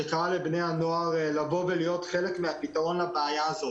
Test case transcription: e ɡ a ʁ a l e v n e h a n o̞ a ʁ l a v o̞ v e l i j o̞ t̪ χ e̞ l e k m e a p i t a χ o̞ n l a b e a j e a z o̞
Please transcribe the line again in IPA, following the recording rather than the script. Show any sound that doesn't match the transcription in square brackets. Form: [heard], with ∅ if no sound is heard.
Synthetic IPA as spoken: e [k] a ʁ a l e [b] n e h a n o̞ a ʁ l a v o̞ v e l i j o̞ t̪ χ e̞ l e k m e a p i t a [ʁ] o̞ n l a b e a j [a] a z o̞